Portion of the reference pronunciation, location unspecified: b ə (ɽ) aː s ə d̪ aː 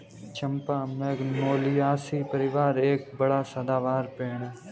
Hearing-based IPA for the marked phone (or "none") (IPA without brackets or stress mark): ɽ